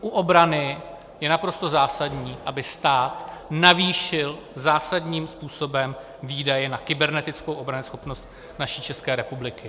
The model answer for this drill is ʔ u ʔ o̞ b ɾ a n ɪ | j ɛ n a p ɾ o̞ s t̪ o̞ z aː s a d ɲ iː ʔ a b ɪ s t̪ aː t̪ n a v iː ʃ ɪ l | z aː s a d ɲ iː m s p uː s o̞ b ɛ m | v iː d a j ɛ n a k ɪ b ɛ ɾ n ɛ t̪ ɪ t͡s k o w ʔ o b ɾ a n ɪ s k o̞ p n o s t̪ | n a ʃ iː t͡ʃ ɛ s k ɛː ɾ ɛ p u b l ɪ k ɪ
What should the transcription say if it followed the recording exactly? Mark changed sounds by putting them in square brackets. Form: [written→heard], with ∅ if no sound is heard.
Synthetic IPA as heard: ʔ u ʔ o̞ b ɾ a n ɪ | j ɛ n a p ɾ o̞ s t̪ o̞ z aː s a d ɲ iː ʔ a b ɪ s t̪ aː t̪ n a v iː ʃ ɪ l | z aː s a d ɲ iː m s p uː s o̞ b ɛ m | v iː d a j ɛ n a k ɪ b ɛ ɾ n ɛ t̪ ɪ t͡s k o w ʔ o b ɾ a n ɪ s [k→x] o̞ p n o s t̪ | n a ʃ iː t͡ʃ ɛ s k ɛː ɾ ɛ p u b l ɪ k ɪ